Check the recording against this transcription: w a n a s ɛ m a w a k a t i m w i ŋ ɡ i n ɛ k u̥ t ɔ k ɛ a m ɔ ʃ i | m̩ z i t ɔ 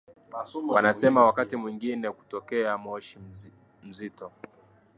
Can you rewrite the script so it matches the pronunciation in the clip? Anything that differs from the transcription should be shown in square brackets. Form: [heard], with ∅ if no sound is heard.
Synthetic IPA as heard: w a n a s ɛ m a w a k a t i m w i ŋ ɡ i n ɛ k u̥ t ɔ k ɛ a m ɔ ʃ i | m̩ z i t ɔ